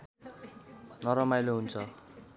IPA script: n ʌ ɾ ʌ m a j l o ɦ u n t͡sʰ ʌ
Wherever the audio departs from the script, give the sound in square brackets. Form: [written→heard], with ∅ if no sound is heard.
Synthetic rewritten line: n ʌ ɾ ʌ m a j l o ɦ u n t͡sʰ ʌ